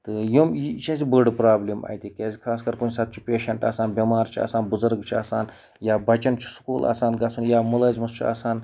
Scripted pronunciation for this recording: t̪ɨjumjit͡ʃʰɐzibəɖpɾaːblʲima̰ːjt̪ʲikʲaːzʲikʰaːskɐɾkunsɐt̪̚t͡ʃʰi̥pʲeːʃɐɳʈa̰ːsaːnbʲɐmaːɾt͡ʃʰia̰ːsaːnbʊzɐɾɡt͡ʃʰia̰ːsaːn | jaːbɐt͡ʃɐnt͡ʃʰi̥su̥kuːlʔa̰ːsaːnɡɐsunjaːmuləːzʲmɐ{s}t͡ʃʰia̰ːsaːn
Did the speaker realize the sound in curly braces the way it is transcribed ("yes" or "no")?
yes